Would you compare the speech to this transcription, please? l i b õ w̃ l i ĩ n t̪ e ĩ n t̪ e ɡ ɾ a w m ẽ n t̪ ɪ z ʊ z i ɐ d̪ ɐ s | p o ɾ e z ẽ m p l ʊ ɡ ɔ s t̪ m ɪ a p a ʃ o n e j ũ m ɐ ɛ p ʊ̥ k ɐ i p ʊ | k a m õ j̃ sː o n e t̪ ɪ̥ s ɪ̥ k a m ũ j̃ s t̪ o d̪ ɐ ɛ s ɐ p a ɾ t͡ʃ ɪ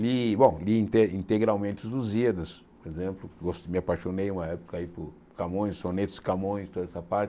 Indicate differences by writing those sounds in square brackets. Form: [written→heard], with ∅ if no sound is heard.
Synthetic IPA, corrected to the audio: l i b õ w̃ l i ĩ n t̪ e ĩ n t̪ e ɡ ɾ a w m ẽ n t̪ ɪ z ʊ z i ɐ d̪ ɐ s | p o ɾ e z ẽ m p l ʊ ɡ [ɔ→o] s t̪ m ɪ a p a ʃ o n e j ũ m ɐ ɛ p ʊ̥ k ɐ i p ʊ | k a m õ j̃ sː o n e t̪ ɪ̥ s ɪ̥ k a m [ũ→õ] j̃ s t̪ o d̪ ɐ ɛ s ɐ p a ɾ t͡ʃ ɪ